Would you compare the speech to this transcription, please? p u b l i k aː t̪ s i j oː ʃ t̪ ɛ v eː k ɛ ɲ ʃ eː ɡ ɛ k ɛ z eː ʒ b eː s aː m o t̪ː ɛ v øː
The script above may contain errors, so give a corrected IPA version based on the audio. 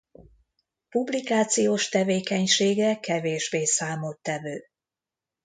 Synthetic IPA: p u b l i k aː t̪ s i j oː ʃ t̪ ɛ v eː k ɛ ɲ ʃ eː ɡ ɛ k ɛ v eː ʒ b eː s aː m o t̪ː ɛ v øː

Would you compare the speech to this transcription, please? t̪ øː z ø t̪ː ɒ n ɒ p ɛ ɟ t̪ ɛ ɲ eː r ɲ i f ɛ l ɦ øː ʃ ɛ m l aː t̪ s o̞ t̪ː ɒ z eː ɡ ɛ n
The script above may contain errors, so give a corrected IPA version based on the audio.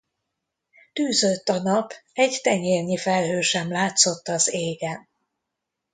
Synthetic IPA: t̪ yː z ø t̪ː ɒ n ɒ p ɛ ɟ t̪ ɛ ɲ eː r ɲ i f ɛ l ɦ øː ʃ ɛ m l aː t̪ s o̞ t̪ː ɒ z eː ɡ ɛ n

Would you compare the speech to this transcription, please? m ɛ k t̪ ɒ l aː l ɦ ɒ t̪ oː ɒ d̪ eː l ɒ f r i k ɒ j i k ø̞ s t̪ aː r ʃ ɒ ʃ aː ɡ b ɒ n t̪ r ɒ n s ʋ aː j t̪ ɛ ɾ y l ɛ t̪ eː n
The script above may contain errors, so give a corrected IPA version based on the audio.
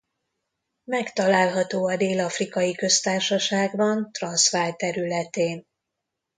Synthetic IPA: m ɛ k t̪ ɒ l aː l ɦ ɒ t̪ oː ɒ d̪ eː l ɒ f r i k ɒ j i k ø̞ s t̪ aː r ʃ ɒ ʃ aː ɡ b ɒ n t̪ r ɒ n s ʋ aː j t̪ ɛ ɾ y l ɛ t̪ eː n

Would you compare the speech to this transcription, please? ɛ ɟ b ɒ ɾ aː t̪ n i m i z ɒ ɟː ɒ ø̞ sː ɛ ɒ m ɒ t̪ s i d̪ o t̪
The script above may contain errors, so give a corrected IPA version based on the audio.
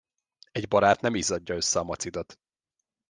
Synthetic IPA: ɛ ɟ b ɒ ɾ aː t̪ n ɛ m i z ɒ ɟː ɒ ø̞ sː ɛ ɒ m ɒ t̪ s i d̪ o t̪

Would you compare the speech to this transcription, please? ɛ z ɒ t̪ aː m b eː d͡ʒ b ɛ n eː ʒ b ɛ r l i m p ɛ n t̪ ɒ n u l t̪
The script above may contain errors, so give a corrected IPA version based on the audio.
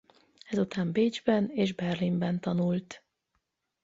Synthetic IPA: ɛ z u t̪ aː m b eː d͡ʒ b ɛ n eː ʒ b ɛ r l i m b ɛ n t̪ ɒ n u l t̪

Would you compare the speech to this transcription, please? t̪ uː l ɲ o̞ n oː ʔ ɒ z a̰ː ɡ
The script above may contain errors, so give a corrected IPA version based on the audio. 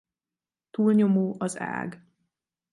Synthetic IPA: t̪ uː l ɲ o̞ m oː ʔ ɒ z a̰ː ɡ

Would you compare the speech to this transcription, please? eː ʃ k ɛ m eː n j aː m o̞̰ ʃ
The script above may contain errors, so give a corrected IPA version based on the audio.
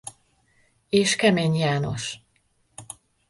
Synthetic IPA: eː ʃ k ɛ m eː ɲ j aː n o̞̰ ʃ

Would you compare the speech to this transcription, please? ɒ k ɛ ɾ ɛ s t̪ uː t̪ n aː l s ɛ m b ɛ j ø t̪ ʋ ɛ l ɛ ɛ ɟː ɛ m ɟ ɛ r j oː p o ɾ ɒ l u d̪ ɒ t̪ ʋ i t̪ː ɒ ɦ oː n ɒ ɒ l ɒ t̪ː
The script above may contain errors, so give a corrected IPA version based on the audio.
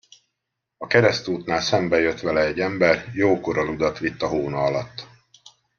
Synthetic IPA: ɒ k ɛ ɾ ɛ s t̪ uː t̪ n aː l s ɛ m b ɛ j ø t̪ ʋ ɛ l ɛ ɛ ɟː ɛ m b ɛ r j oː k o ɾ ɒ l u d̪ ɒ t̪ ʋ i t̪ː ɒ ɦ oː n ɒ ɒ l ɒ t̪ː

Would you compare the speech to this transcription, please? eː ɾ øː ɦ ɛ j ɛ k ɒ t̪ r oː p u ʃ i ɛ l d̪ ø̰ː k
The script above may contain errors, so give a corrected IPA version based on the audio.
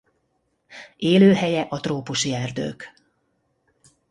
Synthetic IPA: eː l øː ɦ ɛ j ɛ ʔ ɒ t̪ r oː p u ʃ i ɛ r d̪ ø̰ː k

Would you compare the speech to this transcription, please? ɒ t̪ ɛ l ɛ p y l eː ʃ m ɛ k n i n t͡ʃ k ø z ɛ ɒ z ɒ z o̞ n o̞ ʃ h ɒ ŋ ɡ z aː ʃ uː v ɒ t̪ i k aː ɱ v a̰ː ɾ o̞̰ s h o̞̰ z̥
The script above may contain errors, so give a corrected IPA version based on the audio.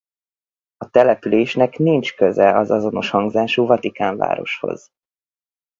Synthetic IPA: ɒ t̪ ɛ l ɛ p y l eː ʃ n ɛ k n i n t͡ʃ k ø z ɛ ɒ z ɒ z o̞ n o̞ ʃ h ɒ ŋ ɡ z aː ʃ uː v ɒ t̪ i k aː ɱ v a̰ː ɾ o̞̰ ʃ h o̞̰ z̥

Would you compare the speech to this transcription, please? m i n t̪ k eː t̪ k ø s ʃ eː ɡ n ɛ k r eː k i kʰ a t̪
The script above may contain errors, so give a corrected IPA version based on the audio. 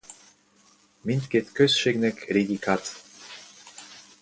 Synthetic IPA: m i n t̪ k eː t̪ k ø s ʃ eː ɡ n ɛ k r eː ɡ i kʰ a t̪

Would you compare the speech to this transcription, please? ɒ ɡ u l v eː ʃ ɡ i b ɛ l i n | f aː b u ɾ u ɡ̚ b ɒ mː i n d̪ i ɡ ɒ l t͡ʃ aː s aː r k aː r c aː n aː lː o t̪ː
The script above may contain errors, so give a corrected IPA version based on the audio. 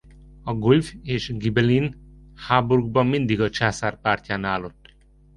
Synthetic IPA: ɒ ɡ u l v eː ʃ ɡ i b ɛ l i n | h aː b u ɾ u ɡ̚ b ɒ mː i n d̪ i ɡ ɒ t͡ʃ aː s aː r p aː r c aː n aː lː o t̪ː

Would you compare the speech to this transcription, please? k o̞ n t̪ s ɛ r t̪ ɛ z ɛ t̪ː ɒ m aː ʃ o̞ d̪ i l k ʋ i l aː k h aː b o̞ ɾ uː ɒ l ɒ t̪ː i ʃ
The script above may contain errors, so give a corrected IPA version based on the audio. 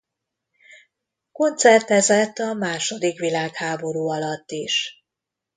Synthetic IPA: k o̞ n t̪ s ɛ r t̪ ɛ z ɛ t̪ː ɒ m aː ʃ o̞ d̪ i k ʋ i l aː k h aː b o̞ ɾ uː ɒ l ɒ t̪ː i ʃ

